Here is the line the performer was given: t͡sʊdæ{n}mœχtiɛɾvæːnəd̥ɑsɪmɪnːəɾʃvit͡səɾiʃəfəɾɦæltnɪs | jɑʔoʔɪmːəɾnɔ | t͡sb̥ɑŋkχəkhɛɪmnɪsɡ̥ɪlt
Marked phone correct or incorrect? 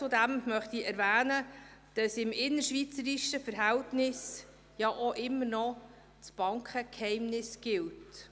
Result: incorrect